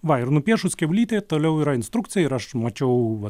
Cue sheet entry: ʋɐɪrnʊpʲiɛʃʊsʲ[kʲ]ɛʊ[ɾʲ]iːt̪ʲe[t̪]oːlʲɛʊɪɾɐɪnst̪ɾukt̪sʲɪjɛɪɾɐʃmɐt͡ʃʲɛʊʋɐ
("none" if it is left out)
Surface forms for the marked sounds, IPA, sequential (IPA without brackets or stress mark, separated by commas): kʲ, lʲ, t̪